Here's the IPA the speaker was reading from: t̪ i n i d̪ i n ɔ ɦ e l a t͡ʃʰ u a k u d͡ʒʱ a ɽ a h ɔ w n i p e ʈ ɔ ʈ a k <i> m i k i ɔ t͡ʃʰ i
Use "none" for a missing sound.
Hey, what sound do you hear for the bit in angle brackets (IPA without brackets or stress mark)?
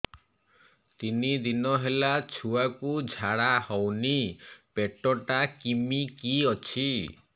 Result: i